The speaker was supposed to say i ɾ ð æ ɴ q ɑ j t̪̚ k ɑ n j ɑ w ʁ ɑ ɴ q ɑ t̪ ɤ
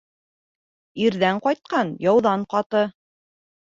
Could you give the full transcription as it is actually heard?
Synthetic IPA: i ɾ ð æ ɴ q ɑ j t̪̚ q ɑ n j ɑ w ð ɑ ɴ q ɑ t̪ ɤ